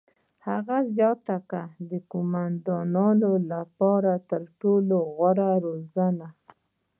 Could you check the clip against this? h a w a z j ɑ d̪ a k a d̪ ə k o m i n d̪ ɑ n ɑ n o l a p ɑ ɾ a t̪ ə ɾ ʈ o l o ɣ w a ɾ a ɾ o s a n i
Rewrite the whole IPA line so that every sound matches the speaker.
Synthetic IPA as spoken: h a ɣ a z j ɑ t̪ a k a d̪ ə k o m a n d̪ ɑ n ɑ n o l a p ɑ ɾ a t̪ ə ɾ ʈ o l o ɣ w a ɾ a ɾ o z a n a